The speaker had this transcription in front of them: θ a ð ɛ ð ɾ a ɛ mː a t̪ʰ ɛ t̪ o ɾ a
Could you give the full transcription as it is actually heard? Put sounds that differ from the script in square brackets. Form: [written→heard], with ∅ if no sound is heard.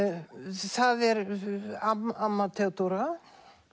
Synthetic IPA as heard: θ a ð ɛ [ð→∅] ɾ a [ɛ→a] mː a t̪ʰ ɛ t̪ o ɾ a